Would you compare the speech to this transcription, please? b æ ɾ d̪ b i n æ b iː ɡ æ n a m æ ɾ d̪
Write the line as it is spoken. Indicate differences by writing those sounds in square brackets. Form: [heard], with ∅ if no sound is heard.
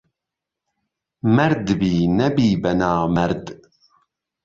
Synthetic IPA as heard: [m] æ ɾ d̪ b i n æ b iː [b] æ n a m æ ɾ d̪